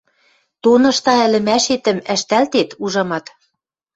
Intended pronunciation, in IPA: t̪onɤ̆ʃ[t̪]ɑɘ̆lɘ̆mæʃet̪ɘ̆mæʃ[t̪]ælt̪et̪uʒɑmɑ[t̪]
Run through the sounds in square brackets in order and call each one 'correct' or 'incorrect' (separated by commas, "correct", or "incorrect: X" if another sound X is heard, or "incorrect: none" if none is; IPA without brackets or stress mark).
correct, correct, correct